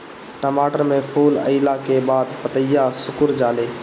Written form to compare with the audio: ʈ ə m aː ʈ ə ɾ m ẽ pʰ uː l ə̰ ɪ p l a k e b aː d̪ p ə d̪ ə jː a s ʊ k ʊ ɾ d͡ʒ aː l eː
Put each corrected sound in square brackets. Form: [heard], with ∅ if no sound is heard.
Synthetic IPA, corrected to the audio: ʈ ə m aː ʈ ə ɾ m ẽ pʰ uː l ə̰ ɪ [∅] l a k e b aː d̪ p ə [t̪] ə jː a s ʊ k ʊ ɾ d͡ʒ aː l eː